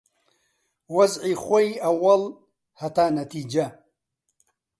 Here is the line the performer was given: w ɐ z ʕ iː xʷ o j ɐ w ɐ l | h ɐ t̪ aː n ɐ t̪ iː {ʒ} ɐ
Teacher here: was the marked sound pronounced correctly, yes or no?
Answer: no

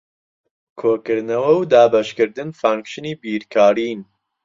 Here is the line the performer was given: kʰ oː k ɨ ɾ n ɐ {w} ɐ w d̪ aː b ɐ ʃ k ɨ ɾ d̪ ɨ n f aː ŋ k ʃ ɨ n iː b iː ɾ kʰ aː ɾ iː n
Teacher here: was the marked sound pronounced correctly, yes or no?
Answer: yes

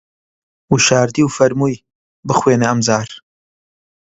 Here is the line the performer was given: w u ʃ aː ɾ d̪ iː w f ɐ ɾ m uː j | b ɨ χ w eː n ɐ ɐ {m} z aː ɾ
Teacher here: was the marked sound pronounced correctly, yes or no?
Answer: yes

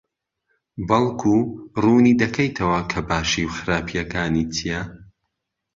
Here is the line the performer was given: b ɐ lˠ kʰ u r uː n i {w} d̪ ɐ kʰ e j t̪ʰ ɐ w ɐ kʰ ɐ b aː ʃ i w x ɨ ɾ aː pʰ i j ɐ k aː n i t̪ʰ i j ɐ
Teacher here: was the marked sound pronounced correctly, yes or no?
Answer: no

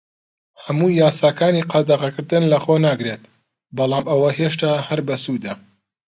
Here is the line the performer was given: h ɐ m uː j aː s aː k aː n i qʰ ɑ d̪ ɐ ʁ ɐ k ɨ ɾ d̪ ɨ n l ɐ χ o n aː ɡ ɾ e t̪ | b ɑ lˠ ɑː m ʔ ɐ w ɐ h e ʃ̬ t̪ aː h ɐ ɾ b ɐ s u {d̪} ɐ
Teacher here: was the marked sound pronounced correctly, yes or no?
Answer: yes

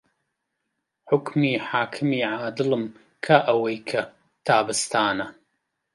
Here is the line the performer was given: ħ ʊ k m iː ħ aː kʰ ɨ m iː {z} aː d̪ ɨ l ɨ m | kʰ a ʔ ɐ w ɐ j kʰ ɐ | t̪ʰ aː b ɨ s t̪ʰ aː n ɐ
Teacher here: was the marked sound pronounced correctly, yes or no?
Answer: no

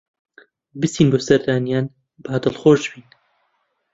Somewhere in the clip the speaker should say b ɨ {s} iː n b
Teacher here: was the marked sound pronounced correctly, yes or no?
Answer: yes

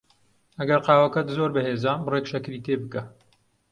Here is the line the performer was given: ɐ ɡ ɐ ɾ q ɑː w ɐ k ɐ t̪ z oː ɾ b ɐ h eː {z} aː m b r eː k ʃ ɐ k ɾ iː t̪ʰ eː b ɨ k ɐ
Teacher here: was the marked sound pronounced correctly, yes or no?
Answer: yes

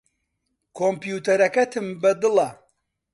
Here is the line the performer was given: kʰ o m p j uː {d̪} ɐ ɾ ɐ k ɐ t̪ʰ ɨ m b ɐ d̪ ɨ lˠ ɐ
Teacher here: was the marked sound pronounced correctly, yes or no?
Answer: no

